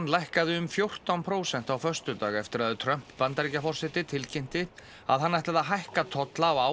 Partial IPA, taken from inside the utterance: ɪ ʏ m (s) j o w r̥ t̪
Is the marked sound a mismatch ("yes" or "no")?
yes